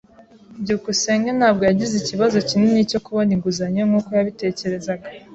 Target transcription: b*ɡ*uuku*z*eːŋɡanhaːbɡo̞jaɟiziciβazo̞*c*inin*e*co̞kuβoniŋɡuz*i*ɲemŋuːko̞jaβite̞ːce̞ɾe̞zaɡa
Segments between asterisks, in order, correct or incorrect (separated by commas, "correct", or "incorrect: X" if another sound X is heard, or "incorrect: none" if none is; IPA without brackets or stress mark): incorrect: ɟ, incorrect: s, correct, incorrect: i, incorrect: a